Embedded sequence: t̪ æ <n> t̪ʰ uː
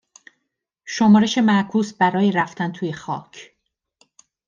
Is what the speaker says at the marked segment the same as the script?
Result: yes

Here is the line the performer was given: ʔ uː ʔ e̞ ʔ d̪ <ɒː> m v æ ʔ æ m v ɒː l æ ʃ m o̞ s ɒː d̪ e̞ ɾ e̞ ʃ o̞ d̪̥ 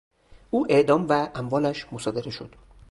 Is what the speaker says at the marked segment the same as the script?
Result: yes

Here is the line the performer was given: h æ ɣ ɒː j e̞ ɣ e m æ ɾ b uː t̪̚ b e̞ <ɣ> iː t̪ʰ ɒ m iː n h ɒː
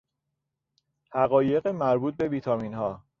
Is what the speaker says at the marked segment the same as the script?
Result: no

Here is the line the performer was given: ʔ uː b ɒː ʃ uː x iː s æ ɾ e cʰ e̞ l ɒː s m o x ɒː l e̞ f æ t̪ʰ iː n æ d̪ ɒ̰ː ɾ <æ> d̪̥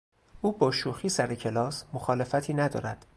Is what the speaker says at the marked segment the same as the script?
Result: yes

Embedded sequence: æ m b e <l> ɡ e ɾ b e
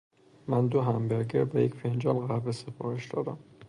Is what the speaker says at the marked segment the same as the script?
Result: no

